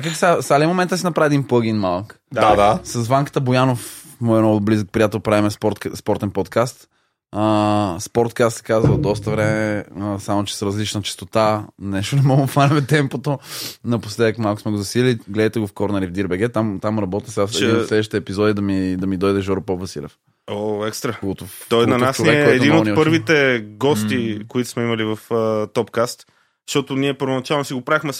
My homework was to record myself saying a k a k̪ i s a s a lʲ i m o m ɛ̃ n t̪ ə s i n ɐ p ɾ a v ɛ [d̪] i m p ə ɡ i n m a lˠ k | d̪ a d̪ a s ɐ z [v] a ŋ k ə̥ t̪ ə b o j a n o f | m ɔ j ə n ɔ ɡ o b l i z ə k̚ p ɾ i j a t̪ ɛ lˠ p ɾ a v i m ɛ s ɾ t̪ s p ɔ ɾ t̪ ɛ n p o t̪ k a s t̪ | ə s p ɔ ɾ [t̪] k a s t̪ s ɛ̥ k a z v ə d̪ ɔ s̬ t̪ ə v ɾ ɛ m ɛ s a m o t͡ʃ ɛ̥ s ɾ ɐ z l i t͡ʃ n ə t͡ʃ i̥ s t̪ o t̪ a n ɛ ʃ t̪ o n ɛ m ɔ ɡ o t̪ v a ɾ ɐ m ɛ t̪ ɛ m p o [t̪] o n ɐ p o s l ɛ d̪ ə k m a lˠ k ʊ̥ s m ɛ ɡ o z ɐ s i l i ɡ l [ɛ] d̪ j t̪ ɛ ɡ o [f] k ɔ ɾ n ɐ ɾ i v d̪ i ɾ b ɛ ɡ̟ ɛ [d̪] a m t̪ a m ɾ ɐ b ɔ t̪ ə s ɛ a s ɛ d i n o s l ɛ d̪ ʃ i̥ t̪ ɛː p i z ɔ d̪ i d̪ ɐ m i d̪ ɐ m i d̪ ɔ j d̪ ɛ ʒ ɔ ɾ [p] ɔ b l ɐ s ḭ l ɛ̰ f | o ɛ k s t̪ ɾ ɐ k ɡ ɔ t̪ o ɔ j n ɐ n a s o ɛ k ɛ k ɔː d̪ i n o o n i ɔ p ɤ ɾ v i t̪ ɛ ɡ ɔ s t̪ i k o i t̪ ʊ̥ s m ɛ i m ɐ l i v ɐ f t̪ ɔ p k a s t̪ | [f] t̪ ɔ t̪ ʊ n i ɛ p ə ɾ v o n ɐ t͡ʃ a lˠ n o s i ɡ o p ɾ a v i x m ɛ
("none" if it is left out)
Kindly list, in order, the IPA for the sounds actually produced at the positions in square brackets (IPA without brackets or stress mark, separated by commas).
d̪, v, t̪, t̪, ɛ, f, t̪, p, ʃ